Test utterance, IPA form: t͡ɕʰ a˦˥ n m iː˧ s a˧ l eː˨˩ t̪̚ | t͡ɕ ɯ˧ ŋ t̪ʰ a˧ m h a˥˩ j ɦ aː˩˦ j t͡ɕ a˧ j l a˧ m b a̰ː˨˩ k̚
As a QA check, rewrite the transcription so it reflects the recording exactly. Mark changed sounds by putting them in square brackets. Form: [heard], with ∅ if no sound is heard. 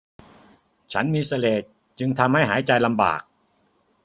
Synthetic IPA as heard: t͡ɕʰ a˦˥ n m iː˧ s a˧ l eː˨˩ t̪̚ | t͡ɕ ɯ˧ ŋ t̪ʰ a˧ m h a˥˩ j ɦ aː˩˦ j t͡ɕ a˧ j l a˧ m b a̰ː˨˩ k̚